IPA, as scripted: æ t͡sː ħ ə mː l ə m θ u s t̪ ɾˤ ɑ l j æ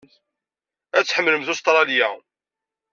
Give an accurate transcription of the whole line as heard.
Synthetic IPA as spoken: æ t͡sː ħ ə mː l ə m θ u s t̪ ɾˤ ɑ l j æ